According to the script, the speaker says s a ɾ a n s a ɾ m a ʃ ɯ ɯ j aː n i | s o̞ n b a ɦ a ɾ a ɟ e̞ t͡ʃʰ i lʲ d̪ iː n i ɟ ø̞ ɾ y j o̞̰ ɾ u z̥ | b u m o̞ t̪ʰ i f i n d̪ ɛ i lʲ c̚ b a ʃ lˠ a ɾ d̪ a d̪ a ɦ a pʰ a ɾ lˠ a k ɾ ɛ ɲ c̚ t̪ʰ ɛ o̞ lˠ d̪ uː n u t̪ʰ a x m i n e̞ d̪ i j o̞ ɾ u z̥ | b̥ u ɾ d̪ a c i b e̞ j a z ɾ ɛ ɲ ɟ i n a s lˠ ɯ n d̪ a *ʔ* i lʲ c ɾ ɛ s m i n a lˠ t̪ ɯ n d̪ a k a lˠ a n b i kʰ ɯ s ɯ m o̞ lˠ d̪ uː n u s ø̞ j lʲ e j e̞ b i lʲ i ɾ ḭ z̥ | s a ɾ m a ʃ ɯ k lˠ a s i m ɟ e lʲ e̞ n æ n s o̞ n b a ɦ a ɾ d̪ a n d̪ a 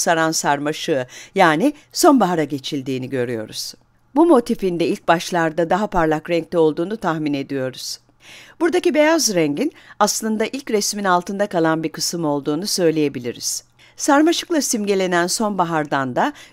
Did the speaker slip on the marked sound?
no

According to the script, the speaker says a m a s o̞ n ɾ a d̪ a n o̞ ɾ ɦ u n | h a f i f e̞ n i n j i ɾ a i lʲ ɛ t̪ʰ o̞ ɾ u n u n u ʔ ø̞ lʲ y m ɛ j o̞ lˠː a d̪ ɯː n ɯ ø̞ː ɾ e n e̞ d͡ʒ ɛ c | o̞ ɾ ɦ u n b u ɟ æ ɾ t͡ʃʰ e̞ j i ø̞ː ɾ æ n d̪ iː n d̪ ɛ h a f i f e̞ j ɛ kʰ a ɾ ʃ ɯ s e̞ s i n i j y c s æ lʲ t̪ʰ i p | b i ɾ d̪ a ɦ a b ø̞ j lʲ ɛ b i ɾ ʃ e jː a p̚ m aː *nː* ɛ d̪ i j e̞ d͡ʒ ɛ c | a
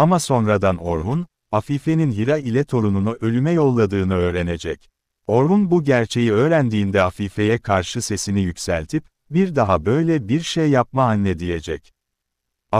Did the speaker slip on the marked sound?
no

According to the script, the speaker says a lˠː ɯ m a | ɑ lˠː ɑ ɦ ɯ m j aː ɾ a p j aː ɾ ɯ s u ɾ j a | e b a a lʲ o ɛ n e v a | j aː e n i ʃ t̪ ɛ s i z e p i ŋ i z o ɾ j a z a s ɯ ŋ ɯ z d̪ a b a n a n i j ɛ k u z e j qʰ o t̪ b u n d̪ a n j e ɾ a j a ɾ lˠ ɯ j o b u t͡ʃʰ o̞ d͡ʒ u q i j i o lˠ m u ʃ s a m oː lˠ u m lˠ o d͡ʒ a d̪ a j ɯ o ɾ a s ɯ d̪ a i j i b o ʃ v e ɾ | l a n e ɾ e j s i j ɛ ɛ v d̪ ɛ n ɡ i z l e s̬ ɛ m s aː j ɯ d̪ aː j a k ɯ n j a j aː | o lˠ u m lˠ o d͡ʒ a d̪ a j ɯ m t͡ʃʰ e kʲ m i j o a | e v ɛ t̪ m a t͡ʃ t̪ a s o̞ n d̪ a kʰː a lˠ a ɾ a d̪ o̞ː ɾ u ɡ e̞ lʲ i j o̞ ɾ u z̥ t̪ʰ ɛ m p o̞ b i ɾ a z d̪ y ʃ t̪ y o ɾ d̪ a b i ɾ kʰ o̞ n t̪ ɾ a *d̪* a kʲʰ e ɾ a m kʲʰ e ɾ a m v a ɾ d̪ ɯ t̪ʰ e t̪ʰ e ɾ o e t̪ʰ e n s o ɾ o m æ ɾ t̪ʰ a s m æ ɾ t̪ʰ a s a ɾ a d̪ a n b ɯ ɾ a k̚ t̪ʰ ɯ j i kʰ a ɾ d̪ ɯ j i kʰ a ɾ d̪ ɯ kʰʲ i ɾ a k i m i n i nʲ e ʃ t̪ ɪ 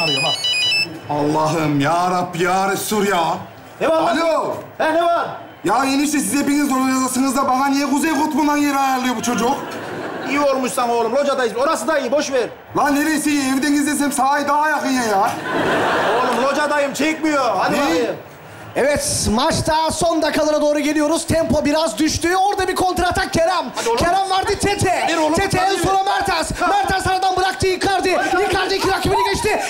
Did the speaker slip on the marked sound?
yes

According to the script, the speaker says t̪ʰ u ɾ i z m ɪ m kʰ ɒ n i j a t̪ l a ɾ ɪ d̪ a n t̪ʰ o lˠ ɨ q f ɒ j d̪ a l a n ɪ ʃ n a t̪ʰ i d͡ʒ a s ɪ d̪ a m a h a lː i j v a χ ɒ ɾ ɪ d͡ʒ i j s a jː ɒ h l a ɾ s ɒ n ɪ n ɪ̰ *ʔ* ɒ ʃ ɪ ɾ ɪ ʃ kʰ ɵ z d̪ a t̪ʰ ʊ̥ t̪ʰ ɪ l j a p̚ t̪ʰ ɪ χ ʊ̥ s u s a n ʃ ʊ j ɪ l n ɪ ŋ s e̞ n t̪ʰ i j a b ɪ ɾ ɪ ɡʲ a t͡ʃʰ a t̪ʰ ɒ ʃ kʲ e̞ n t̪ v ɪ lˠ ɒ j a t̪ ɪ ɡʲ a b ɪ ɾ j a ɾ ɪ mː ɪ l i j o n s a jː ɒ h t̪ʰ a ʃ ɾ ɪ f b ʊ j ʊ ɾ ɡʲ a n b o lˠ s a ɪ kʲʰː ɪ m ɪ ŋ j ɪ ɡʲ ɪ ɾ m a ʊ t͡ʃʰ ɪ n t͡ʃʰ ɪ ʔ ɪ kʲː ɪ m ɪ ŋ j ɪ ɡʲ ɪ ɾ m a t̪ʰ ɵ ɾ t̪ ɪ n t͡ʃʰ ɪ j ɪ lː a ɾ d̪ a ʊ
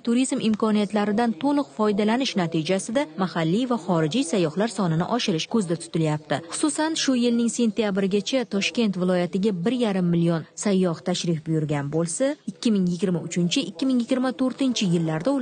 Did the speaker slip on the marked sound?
no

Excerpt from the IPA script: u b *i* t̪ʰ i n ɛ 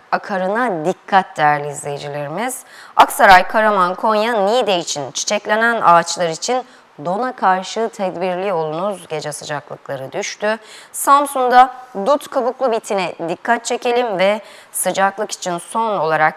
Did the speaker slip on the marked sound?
no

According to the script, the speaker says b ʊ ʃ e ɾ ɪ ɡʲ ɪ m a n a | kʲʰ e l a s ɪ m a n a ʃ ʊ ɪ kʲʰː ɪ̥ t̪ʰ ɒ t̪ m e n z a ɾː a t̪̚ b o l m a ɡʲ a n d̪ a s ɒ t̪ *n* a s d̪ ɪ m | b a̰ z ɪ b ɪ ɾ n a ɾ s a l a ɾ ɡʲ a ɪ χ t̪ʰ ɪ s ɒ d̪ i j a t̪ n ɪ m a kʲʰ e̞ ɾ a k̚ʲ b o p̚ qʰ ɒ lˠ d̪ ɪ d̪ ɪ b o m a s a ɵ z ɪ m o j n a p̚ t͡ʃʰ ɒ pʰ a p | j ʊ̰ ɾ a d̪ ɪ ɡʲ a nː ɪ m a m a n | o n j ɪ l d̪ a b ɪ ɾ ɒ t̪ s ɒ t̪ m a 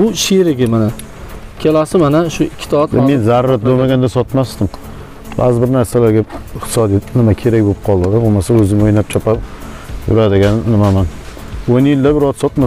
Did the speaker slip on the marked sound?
yes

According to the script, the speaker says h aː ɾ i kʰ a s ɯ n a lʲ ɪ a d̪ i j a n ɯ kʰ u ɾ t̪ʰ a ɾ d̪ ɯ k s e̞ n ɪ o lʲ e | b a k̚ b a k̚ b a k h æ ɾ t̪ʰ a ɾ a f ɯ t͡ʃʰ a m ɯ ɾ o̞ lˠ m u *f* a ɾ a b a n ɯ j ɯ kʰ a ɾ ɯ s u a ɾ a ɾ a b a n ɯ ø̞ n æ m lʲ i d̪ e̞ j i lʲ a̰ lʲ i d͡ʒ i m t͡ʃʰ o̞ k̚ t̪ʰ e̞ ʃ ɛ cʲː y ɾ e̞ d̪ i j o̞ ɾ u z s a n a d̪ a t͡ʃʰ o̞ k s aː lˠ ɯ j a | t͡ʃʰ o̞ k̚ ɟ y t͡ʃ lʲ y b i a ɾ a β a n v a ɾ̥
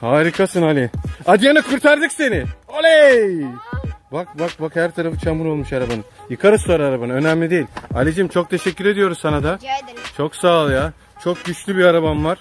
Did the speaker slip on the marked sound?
yes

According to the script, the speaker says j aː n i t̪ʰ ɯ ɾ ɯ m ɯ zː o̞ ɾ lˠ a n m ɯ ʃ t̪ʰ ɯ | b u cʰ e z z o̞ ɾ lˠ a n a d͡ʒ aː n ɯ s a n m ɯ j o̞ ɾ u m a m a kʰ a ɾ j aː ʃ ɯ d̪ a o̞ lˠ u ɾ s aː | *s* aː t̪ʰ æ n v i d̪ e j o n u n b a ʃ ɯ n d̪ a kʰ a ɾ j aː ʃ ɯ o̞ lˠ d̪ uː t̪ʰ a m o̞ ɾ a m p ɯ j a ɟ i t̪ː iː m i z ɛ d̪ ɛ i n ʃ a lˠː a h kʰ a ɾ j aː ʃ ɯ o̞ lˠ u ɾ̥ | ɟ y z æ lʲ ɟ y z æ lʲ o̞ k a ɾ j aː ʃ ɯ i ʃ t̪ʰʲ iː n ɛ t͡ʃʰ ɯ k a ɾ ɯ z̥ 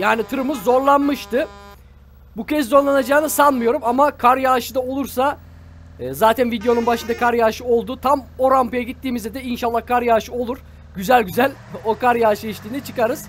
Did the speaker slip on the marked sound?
yes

